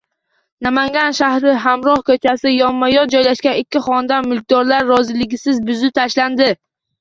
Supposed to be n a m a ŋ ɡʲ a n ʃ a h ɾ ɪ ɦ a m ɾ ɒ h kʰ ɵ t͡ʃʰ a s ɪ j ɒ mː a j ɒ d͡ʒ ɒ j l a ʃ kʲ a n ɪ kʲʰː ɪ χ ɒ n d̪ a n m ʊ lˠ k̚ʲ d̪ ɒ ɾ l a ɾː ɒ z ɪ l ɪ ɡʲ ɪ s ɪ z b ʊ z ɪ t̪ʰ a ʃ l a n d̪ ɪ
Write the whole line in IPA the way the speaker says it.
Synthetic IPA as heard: n a m a ŋ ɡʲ a n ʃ a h ɾ ɪ ɦ a m ɾ ɒ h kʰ ɵ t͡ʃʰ a s ɪ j ɒ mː a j ɒ d͡ʒ ɒ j l a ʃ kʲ a n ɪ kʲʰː ɪ χ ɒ n d̪ a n m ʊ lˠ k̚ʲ d̪ ɒ ɾ l a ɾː ɒ z ɪ l ɪ ɡʲ ɪ s ɪ z b ʊ z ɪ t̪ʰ a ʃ l a n d̪ ɪ